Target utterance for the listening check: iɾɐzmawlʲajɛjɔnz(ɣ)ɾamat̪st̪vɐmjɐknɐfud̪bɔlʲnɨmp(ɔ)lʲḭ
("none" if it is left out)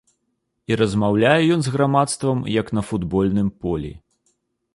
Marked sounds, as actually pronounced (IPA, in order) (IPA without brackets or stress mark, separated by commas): ɣ, ɔ